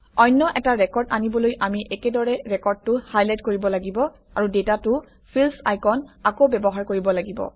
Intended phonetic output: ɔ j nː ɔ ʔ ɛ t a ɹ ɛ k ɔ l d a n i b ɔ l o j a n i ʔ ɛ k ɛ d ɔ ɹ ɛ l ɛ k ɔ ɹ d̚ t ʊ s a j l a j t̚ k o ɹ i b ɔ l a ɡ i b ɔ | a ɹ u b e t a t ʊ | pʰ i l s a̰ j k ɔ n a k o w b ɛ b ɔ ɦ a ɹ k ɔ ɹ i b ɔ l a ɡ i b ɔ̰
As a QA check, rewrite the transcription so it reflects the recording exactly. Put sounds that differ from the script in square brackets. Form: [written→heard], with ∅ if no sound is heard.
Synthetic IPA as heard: ɔ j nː ɔ ʔ ɛ t a ɹ ɛ k ɔ [l→ɹ] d a n i b ɔ l o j a [n→m] i ʔ ɛ k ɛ d ɔ ɹ ɛ [l→ɹ] ɛ k ɔ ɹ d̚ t ʊ [s→h] a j l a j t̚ k o ɹ i b ɔ l a ɡ i b ɔ | a ɹ u [b→d] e t a t ʊ | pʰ i l s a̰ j k ɔ n a k o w b ɛ b ɔ ɦ a ɹ k [ɔ→o] ɹ i b ɔ l a ɡ i b ɔ̰

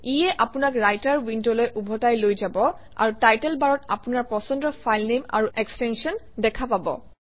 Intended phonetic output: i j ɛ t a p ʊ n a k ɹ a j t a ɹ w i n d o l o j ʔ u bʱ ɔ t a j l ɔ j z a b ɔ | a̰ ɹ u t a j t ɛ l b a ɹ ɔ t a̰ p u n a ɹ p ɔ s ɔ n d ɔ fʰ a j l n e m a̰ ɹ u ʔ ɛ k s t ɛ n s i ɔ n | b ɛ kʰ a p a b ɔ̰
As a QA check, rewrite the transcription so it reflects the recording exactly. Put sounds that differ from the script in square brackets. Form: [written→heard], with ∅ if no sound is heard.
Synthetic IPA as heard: i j ɛ [t→ʔ] a p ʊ n a k ɹ a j t a ɹ w i n d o l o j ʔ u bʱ ɔ t a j l [ɔ→o] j z a b ɔ | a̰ ɹ u t a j t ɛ l b a ɹ ɔ t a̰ p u n a ɹ p ɔ s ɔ n d ɔ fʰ a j l n e m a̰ ɹ u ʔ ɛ k s t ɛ n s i ɔ n | [b→d] ɛ kʰ a p a b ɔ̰

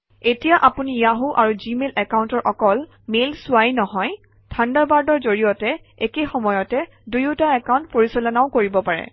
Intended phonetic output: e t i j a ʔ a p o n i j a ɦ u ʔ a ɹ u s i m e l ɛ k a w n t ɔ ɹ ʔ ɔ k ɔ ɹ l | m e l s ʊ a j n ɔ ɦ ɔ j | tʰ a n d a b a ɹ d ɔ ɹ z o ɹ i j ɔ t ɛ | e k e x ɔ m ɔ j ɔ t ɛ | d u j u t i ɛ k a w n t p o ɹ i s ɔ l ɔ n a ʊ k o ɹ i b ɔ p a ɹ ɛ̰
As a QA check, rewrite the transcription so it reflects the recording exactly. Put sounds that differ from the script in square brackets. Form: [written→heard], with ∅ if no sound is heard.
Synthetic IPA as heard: e t i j a ʔ a p [o→u] n i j a ɦ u ʔ a ɹ u [s→z] i m e l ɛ k a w n t ɔ ɹ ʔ ɔ k ɔ [ɹ→∅] l | m e l s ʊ a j n ɔ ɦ ɔ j | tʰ a n d a b a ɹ d ɔ ɹ z o ɹ i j ɔ t ɛ | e k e x ɔ m ɔ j ɔ t ɛ | d u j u t [i→a] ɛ k a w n t p o ɹ i s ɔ l ɔ n a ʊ k o ɹ i b ɔ p a ɹ ɛ̰

